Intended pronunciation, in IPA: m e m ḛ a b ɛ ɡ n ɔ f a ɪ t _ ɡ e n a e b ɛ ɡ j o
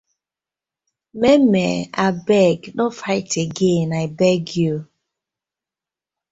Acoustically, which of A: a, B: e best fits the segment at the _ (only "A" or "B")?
B